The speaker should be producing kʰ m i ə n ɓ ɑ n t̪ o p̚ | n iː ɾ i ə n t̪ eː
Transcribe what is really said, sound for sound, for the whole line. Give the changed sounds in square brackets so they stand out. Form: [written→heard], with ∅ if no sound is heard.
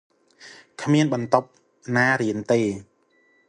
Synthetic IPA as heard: kʰ m i ə n ɓ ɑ n t̪ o p̚ | n [iː→aː] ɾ i ə n t̪ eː